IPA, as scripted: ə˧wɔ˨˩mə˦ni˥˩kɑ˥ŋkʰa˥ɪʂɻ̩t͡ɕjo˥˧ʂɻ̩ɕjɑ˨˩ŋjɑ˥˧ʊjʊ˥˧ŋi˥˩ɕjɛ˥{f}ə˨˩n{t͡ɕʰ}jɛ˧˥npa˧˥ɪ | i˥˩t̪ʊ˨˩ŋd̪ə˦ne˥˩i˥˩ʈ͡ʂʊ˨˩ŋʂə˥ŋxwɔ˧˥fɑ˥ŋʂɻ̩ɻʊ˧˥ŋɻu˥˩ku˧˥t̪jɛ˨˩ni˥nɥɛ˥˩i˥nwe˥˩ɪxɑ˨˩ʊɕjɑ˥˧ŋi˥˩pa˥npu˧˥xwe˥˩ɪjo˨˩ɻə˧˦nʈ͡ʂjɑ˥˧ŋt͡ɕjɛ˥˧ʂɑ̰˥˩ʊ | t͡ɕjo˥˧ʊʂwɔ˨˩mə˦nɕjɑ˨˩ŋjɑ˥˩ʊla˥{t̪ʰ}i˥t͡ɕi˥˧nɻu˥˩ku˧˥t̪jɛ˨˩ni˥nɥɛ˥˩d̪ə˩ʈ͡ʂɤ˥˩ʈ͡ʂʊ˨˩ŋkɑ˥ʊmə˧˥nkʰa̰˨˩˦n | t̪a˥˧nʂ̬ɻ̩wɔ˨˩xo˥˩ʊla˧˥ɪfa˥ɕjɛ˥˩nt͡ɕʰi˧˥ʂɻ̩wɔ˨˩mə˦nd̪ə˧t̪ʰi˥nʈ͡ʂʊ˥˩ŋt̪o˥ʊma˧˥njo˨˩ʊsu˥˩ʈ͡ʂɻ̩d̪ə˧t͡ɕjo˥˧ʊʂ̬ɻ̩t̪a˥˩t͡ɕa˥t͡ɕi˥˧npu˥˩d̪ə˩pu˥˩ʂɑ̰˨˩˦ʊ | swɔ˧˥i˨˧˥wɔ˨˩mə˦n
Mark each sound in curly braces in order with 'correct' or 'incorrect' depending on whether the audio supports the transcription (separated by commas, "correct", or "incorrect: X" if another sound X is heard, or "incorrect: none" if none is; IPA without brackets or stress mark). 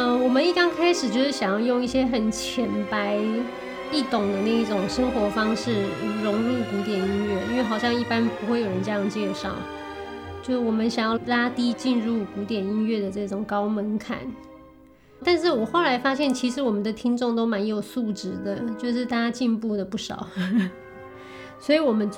incorrect: x, correct, incorrect: t̪